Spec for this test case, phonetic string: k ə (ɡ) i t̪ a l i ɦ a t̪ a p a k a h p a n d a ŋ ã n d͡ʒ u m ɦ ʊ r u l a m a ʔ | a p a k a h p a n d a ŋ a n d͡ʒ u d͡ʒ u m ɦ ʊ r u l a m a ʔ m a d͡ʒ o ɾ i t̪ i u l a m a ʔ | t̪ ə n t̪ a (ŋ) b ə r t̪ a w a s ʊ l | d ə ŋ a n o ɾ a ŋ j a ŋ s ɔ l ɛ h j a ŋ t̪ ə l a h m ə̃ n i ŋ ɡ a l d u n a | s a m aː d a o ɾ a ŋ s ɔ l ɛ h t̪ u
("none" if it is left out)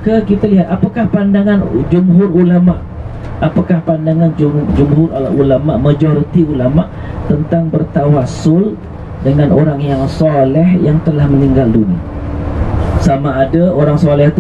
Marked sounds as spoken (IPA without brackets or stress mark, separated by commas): k, ŋ